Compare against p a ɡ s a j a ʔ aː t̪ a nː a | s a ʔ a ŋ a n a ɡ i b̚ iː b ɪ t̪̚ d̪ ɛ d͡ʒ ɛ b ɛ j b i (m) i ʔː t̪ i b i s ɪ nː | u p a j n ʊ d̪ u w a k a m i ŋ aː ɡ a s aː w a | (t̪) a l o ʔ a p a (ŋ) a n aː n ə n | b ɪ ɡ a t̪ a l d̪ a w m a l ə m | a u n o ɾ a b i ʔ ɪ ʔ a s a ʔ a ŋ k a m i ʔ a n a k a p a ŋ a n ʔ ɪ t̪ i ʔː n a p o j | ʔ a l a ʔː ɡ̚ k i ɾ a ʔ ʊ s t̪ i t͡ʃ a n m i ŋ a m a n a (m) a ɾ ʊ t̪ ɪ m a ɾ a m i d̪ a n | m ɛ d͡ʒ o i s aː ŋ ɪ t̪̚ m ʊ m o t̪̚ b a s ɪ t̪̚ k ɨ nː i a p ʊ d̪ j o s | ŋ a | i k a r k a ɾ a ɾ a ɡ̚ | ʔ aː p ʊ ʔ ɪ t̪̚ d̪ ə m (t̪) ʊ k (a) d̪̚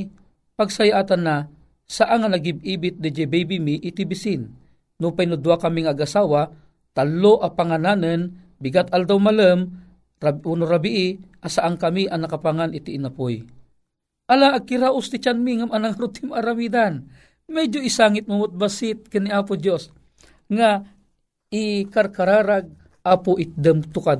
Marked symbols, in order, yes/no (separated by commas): yes, yes, yes, no, yes, yes